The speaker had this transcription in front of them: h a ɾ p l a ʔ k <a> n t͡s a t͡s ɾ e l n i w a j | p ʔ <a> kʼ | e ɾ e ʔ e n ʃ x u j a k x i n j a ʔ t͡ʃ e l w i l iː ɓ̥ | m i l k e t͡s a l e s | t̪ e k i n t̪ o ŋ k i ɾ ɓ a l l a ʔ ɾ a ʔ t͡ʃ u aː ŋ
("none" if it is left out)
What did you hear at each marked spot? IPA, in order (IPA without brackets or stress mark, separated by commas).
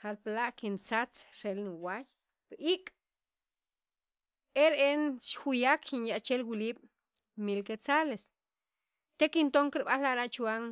i, i